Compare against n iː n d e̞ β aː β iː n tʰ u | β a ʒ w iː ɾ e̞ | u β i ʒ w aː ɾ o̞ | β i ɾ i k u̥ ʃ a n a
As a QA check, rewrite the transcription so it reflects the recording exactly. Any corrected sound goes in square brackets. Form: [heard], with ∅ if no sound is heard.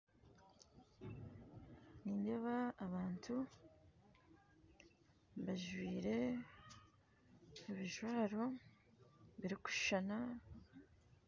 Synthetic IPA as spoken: n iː n d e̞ β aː β [aː] n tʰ u | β a ʒ w iː ɾ e̞ | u β i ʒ w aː ɾ o̞ | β i ɾ i k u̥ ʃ a n a